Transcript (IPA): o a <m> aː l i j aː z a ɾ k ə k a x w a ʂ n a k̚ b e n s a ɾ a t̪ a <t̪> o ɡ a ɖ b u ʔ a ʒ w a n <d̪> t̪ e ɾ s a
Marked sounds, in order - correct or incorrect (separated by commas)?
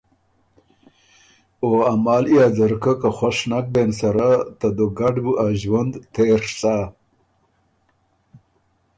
correct, incorrect, correct